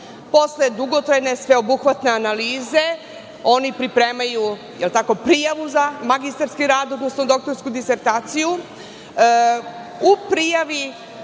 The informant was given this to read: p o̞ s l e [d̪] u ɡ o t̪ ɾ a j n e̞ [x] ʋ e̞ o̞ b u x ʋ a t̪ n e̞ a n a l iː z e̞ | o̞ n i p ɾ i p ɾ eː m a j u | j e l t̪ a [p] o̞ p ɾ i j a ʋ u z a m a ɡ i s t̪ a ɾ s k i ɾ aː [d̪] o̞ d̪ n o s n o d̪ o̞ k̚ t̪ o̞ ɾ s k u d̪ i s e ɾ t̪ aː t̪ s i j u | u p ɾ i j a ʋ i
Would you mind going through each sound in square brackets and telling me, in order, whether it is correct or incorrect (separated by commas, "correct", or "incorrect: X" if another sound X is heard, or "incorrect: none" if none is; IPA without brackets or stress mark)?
correct, incorrect: s, incorrect: k, correct